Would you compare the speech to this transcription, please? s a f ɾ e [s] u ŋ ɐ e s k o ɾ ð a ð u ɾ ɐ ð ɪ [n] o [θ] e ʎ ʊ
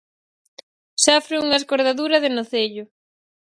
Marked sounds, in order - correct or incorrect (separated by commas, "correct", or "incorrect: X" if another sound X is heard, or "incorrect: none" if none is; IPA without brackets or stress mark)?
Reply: incorrect: none, correct, correct